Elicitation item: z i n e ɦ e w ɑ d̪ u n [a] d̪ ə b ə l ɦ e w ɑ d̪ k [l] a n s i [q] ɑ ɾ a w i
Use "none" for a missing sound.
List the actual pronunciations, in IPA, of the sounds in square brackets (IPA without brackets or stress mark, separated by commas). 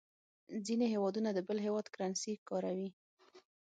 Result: a, ɾ, k